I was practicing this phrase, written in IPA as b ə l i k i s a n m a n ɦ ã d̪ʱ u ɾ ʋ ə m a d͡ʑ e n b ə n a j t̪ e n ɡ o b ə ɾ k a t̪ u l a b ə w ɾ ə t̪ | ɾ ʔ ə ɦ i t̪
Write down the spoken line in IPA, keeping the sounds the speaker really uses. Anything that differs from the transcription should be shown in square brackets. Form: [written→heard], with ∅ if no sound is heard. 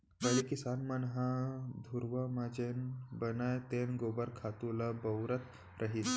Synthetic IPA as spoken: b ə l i k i s a n m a n ɦ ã d̪ʱ u ɾ ʋ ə m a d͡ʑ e n b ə n a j t̪ e n ɡ o b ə ɾ [k→kʰ] a t̪ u l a b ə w ɾ ə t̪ | ɾ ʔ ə ɦ i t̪